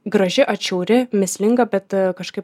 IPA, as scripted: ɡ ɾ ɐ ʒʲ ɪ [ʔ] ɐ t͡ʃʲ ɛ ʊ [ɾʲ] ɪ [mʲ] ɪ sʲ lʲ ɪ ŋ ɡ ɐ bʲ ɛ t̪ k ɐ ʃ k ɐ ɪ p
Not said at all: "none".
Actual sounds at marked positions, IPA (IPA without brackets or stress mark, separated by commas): ʔ, ɾʲ, mʲ